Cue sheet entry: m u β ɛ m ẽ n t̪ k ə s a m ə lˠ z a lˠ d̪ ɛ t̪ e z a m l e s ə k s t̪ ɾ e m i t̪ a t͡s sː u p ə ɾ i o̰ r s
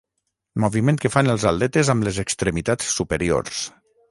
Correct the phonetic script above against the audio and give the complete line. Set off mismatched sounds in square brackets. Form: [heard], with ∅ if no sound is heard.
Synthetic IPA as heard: m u β [i] m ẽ n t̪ k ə [f] a [n] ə lˠ z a lˠ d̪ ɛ t̪ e z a m l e [z] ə k s t̪ ɾ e m i t̪ a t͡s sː u p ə ɾ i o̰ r s